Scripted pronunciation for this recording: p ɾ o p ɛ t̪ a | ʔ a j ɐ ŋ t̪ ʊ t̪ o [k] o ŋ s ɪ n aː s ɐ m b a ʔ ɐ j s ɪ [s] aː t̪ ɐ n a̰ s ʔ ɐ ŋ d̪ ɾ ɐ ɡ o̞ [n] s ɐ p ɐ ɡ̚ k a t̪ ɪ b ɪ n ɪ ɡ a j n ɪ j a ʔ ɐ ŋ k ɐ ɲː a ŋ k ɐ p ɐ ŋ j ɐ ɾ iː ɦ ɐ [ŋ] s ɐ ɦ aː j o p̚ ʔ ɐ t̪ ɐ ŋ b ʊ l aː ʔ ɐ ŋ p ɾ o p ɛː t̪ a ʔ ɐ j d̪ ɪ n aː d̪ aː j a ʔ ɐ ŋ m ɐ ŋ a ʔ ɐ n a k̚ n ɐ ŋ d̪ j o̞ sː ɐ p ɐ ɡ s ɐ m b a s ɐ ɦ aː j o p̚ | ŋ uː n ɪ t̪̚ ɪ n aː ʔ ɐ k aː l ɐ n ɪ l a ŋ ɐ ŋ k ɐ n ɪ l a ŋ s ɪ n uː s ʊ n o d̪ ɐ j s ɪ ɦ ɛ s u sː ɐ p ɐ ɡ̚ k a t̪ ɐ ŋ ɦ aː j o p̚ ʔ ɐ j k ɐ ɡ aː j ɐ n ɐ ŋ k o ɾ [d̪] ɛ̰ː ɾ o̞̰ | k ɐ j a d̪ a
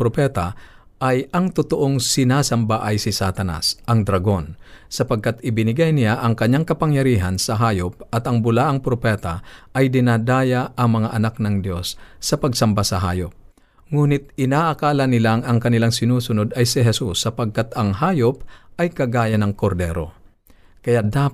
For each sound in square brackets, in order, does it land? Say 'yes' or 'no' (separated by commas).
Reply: no, yes, yes, no, yes